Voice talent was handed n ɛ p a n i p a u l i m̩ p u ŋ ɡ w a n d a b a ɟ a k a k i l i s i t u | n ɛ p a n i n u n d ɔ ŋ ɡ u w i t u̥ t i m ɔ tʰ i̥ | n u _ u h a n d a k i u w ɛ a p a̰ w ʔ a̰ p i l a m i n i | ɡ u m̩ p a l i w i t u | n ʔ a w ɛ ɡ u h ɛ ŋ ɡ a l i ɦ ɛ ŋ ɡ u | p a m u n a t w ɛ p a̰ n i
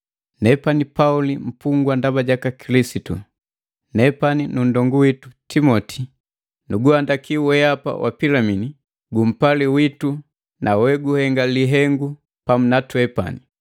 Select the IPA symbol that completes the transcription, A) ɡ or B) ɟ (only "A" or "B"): A